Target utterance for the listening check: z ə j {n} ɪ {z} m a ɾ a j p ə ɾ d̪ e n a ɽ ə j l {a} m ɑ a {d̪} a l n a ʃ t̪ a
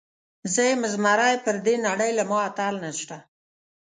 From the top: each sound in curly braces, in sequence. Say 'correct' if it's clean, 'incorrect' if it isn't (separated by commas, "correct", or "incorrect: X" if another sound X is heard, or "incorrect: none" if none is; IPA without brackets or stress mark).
incorrect: m, correct, correct, incorrect: t̪